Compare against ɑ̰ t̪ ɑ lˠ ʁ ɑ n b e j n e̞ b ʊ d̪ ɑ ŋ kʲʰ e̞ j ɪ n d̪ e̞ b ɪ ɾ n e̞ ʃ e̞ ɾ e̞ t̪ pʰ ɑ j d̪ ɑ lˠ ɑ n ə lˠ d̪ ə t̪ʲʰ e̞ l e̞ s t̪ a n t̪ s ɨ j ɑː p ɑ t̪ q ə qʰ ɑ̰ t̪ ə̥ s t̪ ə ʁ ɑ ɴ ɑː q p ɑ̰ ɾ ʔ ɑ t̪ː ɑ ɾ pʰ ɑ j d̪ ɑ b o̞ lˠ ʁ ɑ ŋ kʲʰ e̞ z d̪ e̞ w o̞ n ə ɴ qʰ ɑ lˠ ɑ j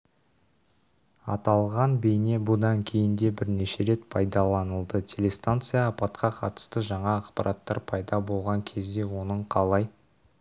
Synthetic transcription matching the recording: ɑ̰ t̪ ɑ lˠ ʁ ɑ n b e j n e̞ b ʊ d̪ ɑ ŋ kʲʰ e̞ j ɪ n d̪ e̞ b ɪ ɾ n e̞ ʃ e̞ ɾ e̞ t̪ pʰ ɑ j d̪ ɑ lˠ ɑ n ə lˠ d̪ ə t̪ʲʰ e̞ l e̞ s t̪ a n t̪ s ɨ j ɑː p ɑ t̪ q ɑ qʰ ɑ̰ t̪ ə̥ s t̪ ə ʒ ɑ ɴ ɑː q p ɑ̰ ɾ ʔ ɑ t̪ː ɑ ɾ pʰ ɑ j d̪ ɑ b o̞ lˠ ʁ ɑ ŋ kʲʰ e̞ z d̪ e̞ w o̞ n ə ɴ qʰ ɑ lˠ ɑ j